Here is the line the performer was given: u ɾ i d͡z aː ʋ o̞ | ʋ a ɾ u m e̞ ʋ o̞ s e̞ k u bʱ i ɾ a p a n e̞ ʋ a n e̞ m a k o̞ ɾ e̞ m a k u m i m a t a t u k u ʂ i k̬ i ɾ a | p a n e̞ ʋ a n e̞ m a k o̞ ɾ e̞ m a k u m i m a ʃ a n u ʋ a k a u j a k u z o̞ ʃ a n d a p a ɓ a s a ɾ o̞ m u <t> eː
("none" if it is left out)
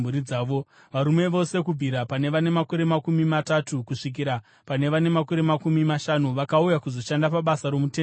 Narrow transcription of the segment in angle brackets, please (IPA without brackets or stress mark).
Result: t